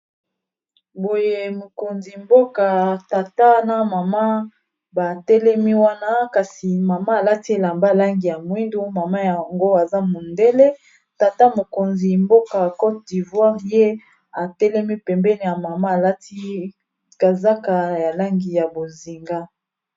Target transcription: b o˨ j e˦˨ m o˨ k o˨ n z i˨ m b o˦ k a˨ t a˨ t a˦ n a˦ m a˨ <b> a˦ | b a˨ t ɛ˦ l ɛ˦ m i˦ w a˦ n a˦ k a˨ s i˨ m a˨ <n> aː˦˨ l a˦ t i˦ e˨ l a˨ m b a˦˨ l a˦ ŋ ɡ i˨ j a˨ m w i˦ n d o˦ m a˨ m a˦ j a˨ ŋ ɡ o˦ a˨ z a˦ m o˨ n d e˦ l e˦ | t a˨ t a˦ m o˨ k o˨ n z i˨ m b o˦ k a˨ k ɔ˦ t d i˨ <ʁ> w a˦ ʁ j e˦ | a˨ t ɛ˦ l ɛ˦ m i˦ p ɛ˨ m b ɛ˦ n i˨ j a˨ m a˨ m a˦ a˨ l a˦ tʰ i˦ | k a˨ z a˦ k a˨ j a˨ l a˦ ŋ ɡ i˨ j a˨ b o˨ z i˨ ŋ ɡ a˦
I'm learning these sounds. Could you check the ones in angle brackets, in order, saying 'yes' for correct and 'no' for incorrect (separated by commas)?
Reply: no, no, no